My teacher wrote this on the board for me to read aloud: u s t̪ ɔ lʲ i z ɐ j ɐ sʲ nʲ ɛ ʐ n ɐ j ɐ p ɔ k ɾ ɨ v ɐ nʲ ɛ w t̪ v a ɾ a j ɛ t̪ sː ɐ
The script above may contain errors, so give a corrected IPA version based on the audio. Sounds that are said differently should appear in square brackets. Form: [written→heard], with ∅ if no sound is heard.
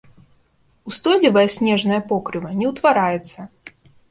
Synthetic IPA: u s t̪ ɔ lʲ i [z→v] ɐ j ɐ sʲ nʲ ɛ ʐ n ɐ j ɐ p ɔ k ɾ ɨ v ɐ nʲ ɛ w t̪ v a ɾ a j ɛ t̪ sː ɐ